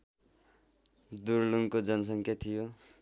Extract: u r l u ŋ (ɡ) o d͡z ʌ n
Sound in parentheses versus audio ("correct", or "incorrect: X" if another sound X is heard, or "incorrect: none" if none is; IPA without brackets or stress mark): incorrect: k